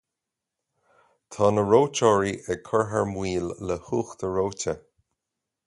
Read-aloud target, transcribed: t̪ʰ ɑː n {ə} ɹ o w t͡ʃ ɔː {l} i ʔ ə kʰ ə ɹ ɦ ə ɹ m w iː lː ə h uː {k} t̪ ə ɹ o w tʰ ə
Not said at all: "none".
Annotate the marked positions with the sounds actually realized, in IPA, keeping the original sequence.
ə, ɹ, x

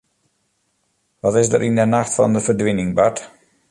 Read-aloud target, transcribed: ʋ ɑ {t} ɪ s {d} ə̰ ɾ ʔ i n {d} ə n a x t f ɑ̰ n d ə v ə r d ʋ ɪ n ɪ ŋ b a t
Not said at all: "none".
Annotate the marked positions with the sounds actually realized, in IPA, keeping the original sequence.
t, d, d

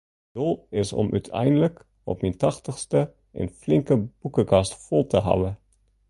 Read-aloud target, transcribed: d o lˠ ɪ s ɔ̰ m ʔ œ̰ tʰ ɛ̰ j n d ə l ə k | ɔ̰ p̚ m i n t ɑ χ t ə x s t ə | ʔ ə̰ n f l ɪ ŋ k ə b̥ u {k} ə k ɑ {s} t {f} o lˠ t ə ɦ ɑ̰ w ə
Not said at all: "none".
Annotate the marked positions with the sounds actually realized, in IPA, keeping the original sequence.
k, s, f

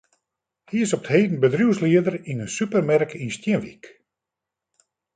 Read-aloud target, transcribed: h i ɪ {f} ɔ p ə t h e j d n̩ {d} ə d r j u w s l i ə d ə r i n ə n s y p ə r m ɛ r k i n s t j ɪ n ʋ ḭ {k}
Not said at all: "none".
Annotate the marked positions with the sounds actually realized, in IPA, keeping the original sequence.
s, b, k

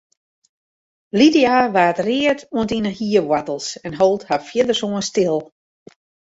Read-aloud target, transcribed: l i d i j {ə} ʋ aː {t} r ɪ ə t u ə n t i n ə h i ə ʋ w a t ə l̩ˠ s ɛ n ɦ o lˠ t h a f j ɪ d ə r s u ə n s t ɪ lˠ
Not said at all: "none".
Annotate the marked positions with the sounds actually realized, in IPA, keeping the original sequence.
a, t

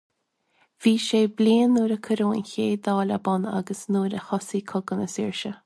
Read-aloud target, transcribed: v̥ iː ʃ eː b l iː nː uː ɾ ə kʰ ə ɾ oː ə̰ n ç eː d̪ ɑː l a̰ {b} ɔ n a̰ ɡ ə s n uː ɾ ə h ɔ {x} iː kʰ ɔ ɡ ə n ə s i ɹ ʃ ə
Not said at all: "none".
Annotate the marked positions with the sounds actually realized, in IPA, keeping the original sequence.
b, s

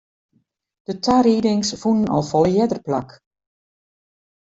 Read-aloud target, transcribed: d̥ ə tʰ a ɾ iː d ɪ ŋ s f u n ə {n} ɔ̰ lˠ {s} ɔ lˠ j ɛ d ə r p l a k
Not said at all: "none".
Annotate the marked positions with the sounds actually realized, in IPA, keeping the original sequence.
n, f

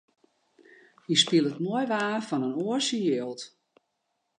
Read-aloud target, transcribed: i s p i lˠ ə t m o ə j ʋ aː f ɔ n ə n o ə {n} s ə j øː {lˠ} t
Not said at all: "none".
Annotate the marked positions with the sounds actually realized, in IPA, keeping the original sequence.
none, lˠ

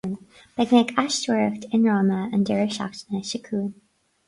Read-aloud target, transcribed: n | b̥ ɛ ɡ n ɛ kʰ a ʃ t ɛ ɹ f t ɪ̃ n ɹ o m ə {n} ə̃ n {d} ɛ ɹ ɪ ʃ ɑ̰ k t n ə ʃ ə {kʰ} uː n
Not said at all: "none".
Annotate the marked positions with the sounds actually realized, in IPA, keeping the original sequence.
none, d, kʰ

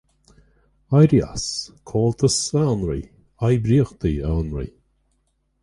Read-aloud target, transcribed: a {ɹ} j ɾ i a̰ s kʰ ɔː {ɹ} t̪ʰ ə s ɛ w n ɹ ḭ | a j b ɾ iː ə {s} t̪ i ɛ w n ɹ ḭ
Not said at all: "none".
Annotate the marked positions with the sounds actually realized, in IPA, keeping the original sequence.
none, l, x

